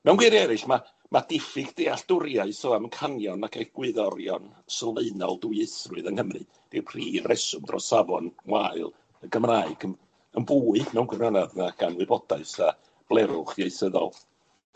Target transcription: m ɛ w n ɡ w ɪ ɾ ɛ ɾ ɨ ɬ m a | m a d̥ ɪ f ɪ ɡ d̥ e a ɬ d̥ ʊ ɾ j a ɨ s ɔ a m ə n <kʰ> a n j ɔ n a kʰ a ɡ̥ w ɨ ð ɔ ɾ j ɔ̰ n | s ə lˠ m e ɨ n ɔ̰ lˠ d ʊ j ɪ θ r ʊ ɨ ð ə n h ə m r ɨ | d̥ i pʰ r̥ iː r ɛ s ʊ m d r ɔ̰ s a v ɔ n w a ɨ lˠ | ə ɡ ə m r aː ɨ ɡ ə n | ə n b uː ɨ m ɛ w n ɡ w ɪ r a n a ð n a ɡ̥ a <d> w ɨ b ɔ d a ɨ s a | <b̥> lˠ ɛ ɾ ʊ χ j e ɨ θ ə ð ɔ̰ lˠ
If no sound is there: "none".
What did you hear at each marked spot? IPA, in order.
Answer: kʰ, n, b̥

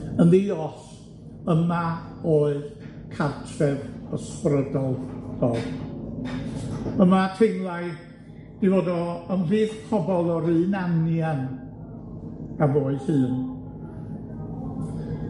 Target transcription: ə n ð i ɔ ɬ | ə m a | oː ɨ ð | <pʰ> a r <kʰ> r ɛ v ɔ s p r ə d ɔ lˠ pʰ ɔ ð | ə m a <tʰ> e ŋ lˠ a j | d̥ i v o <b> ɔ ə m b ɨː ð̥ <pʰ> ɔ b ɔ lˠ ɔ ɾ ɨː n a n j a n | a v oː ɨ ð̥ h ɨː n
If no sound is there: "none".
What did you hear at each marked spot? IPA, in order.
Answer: kʰ, tʰ, tʰ, d, pʰ

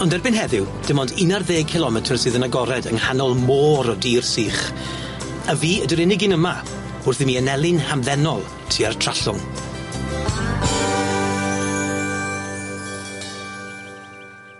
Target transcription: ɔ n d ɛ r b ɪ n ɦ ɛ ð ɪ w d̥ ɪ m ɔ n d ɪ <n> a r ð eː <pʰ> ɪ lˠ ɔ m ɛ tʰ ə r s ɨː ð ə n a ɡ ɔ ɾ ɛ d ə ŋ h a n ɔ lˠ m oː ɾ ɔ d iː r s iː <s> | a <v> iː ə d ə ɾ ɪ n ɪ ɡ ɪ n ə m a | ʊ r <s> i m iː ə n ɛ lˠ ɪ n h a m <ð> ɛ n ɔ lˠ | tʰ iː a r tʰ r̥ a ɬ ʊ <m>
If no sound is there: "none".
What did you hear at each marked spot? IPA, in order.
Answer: n, kʰ, χ, v, θ, ð, ŋ

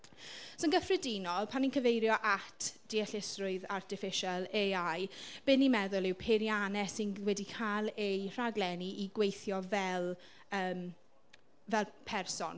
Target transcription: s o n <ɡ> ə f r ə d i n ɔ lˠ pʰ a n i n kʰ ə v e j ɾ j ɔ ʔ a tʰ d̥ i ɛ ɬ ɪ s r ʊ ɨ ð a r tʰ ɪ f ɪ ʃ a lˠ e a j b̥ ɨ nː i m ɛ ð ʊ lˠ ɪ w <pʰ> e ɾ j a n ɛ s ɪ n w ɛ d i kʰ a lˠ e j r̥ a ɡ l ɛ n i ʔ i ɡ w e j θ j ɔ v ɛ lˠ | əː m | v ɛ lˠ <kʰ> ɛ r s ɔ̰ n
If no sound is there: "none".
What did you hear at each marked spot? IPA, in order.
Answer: ɡ, pʰ, pʰ

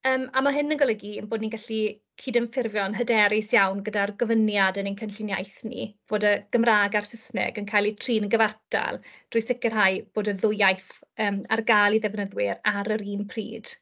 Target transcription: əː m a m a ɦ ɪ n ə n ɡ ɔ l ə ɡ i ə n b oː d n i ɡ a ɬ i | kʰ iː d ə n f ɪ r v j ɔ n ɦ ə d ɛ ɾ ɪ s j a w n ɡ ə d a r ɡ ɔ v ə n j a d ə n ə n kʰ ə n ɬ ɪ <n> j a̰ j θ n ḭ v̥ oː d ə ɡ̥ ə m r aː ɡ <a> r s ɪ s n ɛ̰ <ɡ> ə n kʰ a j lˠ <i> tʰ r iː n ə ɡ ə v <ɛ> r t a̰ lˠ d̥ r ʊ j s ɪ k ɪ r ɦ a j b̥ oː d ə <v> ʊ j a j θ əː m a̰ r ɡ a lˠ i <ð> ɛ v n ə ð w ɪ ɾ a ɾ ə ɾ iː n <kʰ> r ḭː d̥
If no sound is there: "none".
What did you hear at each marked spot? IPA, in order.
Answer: n, a, ɡ, i, a, ð, ð, pʰ

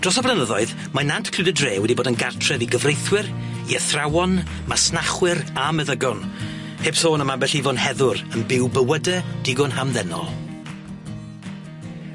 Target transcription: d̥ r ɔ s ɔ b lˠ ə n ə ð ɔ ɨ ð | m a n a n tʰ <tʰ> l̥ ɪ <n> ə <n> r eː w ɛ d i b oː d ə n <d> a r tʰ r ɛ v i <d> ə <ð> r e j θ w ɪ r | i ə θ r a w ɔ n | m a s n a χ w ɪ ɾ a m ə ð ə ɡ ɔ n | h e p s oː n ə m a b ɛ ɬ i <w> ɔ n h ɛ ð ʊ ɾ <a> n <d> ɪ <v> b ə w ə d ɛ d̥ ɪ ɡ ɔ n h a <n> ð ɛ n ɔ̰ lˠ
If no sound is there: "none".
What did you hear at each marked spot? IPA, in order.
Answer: kʰ, d, d, ɡ, ɡ, v, v, ə, b, w, m

